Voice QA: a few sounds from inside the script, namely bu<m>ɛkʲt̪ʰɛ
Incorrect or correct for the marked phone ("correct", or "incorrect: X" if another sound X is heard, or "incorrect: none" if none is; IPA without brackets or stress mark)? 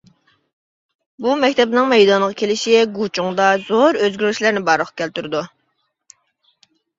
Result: correct